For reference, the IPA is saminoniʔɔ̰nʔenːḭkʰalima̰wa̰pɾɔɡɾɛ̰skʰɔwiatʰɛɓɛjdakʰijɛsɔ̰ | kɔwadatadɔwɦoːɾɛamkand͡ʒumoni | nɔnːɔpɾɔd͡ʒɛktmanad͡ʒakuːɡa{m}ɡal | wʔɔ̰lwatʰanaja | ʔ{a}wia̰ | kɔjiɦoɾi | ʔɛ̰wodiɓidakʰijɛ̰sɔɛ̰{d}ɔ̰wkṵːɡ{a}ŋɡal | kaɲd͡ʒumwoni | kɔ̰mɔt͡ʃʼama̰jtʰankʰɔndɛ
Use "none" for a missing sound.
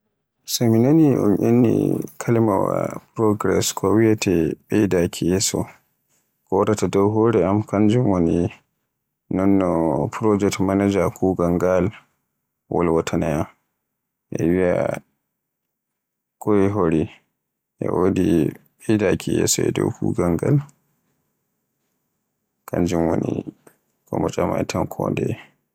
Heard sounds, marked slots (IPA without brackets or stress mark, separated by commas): ŋ, ɛ, d, a